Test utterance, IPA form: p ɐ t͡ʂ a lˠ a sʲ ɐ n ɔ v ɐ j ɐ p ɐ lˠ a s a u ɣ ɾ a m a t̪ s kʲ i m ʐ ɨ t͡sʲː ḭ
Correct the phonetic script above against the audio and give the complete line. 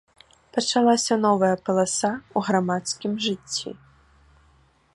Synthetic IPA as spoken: p ɐ t͡ʂ a lˠ a sʲ ɐ n ɔ v ɐ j ɐ p ɐ lˠ a s a u ɣ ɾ a m a t̪ s kʲ i m ʐ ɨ t͡sʲː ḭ

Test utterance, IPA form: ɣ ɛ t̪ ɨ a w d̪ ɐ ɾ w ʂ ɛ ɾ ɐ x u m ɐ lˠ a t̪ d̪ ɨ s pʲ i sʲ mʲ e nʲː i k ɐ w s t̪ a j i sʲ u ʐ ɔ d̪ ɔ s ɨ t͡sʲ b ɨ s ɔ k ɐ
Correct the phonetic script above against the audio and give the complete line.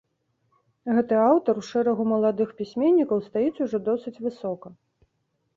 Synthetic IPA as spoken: ɣ ɛ t̪ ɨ a w t̪ ɐ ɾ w ʂ ɛ ɾ ɐ ɣ u m ɐ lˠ a d̪ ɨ x pʲ i sʲ mʲ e nʲː i k ɐ w s t̪ a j i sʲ u ʐ ɔ d̪ ɔ s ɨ t͡sʲ v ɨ s ɔ k ɐ

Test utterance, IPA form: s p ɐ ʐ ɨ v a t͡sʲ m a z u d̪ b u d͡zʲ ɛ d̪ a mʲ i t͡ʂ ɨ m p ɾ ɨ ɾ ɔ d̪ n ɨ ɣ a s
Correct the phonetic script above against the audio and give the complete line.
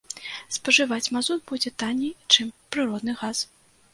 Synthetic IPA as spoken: s p ɐ ʐ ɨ v a t͡sʲ m a z u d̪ b u d͡zʲ ɛ t̪ a nʲ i t͡ʂ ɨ m p ɾ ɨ ɾ ɔ d̪ n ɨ ɣ a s

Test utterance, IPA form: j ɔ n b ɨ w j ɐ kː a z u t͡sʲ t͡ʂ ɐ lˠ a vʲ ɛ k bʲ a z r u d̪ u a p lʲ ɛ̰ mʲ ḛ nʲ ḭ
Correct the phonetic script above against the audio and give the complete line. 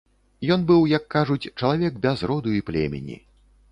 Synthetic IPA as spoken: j ɔ n b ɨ w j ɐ kː a ʐ u t͡sʲ t͡ʂ ɐ lˠ a vʲ ɛ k bʲ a z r ɔ d̪ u i p lʲ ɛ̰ mʲ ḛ nʲ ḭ

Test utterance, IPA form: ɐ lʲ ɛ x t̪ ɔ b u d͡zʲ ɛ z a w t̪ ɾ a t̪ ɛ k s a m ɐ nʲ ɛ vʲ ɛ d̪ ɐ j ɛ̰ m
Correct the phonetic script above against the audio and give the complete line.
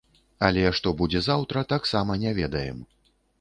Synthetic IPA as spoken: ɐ lʲ ɛ ʂ t̪ ɔ b u d͡zʲ ɛ z a w t̪ ɾ ɐ t̪ a k s a m ɐ nʲ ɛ vʲ ɛ d̪ ɐ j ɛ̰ m

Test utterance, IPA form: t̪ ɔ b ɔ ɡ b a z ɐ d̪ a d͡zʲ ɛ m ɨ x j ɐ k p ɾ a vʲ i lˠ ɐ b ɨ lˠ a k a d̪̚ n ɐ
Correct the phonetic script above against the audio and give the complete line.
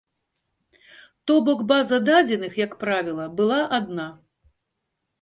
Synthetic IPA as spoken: t̪ ɔ b ɔ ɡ b a z ɐ d̪ a d͡zʲ ɛ n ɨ x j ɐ k p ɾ a vʲ i lˠ ɐ b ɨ lˠ a ʔ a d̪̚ n a

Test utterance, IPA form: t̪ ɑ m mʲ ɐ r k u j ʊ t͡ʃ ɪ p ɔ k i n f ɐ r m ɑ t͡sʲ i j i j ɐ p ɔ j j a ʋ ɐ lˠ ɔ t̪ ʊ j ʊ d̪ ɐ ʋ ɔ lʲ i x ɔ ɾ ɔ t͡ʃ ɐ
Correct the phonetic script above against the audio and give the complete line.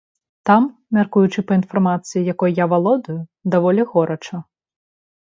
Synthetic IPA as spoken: t̪ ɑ m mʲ ɐ r k u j ʊ t͡ʃ ɪ p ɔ i n f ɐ r m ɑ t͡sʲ i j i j ɐ k ɔ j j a ʋ ɐ lˠ ɔ d̪ ʊ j ʊ d̪ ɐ ʋ ɔ lʲ i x ɔ ɾ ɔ t͡ʃ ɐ

